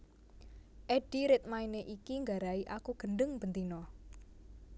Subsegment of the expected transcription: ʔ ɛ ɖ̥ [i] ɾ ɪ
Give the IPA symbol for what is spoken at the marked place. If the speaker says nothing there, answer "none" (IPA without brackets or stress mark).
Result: i